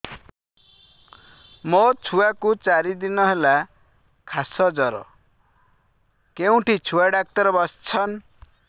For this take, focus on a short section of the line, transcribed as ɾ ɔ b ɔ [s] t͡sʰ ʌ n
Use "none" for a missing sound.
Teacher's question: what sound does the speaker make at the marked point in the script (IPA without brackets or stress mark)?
s